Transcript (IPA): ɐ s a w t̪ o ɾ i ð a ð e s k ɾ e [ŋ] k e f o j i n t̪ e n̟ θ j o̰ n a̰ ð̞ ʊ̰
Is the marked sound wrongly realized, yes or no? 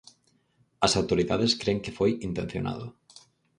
no